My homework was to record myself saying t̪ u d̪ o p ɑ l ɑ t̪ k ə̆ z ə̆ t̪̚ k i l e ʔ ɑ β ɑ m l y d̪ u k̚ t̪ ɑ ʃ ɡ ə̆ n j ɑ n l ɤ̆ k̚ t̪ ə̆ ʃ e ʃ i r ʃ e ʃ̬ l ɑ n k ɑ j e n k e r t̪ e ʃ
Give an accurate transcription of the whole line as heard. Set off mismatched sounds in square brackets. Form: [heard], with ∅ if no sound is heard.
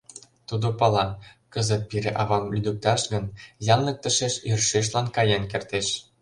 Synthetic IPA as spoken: t̪ u d̪ o p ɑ l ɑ [∅] k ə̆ z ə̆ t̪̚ [p] i [ɾ] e ʔ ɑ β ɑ m l y d̪ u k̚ t̪ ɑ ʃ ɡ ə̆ n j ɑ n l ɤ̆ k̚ t̪ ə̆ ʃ e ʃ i r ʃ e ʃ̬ l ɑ n k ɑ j e n k e r t̪ e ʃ